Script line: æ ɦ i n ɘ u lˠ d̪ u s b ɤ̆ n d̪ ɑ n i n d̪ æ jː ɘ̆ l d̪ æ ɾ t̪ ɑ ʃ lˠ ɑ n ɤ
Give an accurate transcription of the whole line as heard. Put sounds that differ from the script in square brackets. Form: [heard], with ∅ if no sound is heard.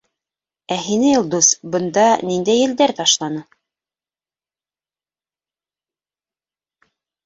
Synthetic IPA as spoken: æ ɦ i n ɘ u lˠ d̪ u s b ɤ̆ n d̪ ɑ n i n d̪ æ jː ɘ̆ l d̪ æ ɾ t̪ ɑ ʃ lˠ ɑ n ɤ